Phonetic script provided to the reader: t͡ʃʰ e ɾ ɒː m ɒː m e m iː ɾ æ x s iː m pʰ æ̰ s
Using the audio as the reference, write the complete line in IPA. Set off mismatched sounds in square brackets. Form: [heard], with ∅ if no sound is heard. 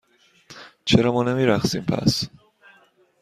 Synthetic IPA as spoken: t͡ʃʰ e ɾ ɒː m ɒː [n] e m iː ɾ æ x s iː m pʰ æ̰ s